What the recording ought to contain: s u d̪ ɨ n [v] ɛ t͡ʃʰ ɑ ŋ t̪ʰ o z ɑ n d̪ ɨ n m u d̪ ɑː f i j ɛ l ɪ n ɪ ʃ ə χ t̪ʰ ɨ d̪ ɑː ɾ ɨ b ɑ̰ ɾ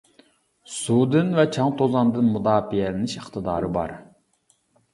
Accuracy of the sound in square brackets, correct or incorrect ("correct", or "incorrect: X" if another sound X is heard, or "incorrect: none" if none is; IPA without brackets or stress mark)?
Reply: correct